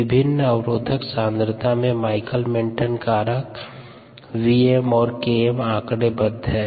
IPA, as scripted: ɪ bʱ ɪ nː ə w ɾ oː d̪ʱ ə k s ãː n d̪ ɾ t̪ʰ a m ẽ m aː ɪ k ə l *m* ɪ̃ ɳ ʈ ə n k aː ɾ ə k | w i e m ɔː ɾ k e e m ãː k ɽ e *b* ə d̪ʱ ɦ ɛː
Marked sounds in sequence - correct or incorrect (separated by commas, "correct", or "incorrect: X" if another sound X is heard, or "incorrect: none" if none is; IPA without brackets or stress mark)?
correct, correct